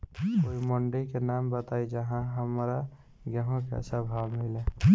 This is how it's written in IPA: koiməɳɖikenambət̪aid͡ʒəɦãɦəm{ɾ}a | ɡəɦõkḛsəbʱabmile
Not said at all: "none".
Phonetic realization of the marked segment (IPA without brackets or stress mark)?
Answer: ɾ